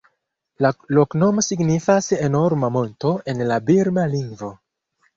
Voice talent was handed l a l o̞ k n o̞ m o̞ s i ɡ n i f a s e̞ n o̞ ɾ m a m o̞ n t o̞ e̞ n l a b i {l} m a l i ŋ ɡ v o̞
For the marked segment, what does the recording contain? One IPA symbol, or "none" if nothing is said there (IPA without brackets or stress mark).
ɾ